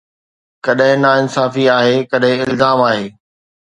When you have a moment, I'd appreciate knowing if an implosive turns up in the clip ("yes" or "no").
yes